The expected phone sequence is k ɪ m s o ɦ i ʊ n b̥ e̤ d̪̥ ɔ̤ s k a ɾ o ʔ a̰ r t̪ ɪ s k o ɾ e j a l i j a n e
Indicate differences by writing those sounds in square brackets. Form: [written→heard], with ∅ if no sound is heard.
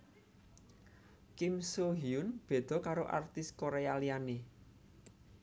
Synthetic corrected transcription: k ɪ m s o ɦ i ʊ n b̥ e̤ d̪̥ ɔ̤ [s→∅] k a ɾ o ʔ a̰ r t̪ ɪ s k o ɾ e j a l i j a n e